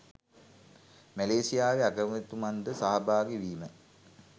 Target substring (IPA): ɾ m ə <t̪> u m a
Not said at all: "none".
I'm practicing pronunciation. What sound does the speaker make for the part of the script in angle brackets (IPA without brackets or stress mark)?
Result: t̪